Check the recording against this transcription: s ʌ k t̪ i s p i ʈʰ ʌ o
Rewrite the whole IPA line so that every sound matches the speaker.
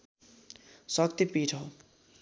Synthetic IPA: s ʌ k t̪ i p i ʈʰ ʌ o